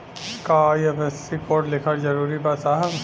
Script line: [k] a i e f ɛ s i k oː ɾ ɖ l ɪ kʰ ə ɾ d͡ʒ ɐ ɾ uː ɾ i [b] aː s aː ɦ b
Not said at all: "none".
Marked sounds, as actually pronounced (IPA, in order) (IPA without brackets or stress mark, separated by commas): k, b